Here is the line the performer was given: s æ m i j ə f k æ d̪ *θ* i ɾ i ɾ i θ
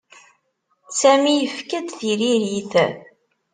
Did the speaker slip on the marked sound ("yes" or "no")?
no